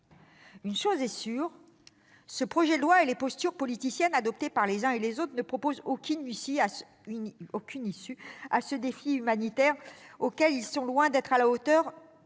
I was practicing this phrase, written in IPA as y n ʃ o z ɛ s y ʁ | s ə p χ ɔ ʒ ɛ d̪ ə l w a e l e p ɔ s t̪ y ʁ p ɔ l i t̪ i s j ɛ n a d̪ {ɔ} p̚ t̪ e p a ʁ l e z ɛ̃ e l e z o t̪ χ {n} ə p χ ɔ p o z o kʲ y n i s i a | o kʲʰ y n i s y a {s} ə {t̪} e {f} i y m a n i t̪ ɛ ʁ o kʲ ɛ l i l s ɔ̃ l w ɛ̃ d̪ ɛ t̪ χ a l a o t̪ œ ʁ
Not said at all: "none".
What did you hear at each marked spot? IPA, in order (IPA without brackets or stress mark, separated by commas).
ɔ, n, s, d̪, f